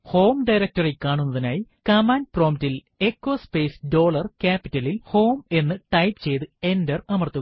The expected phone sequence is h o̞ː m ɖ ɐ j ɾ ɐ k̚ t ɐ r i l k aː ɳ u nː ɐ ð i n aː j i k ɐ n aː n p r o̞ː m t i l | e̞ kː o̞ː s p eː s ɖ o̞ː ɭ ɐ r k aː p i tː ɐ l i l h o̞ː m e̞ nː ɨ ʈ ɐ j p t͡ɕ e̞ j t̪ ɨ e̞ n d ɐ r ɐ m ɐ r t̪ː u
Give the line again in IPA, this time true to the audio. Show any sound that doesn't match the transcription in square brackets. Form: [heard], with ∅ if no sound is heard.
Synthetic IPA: h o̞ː m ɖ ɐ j ɾ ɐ k̚ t ɐ r i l k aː ɳ u nː ɐ ð i n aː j i k ɐ [m] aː n p r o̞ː m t i l | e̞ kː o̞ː s p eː s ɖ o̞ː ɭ ɐ r k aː p i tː ɐ l i l h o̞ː m e̞ nː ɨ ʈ ɐ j p t͡ɕ e̞ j t̪ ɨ e̞ n d ɐ r ɐ m ɐ r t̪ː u

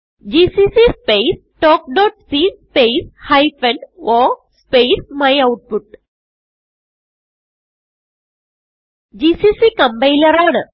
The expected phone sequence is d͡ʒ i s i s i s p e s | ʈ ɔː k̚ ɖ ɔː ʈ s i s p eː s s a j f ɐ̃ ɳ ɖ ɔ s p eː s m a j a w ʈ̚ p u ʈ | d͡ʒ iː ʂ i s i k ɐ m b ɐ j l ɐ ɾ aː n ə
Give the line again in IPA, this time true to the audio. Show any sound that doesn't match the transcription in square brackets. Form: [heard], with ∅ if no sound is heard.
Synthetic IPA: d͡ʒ i s i s i s p e s | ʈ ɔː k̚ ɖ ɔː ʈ s i s p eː s [h] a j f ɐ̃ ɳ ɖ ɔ s p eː s m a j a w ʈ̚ p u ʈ | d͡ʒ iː [s] i s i k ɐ m b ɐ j l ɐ ɾ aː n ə

